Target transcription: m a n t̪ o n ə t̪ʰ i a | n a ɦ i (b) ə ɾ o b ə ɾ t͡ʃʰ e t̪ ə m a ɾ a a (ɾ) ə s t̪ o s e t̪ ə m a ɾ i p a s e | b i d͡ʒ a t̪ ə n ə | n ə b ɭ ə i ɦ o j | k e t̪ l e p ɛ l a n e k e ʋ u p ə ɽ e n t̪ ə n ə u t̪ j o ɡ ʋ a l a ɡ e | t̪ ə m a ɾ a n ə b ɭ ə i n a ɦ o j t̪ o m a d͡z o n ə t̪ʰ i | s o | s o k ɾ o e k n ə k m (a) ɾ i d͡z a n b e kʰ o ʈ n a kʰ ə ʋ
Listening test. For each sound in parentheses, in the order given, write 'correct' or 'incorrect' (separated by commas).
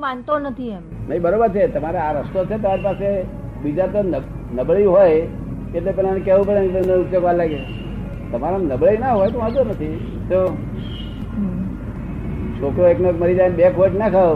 correct, correct, incorrect